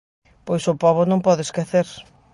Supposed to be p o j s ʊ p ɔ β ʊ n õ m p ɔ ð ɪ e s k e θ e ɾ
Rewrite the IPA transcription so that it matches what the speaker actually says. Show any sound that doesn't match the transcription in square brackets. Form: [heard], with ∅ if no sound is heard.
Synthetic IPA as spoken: p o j s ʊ p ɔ β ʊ n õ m p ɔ ð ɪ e s k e θ e ɾ